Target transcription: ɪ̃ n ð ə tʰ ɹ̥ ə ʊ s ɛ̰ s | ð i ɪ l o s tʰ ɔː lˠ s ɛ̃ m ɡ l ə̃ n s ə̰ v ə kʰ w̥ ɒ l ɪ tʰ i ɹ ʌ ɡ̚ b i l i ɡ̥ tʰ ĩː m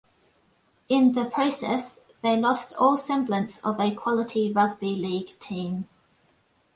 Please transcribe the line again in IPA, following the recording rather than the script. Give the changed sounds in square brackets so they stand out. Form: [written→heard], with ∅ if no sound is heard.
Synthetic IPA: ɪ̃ n ð ə [tʰ→pʰ] ɹ̥ ə ʊ s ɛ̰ s | ð [i→e] ɪ l [o→ɒ] s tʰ ɔː lˠ s ɛ̃ m [ɡ→b] l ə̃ n s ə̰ v ə kʰ w̥ ɒ l ɪ tʰ i ɹ ʌ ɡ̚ b i l [i→iː] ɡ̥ tʰ ĩː m